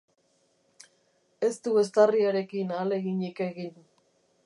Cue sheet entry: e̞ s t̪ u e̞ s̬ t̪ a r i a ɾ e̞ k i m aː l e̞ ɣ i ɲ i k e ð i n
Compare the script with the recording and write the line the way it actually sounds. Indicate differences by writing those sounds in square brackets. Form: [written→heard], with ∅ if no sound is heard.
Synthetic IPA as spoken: e̞ s t̪ u e̞ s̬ t̪ a r i a ɾ e̞ k i [m→n] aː l e̞ ɣ i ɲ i k e [ð→ɣ] i n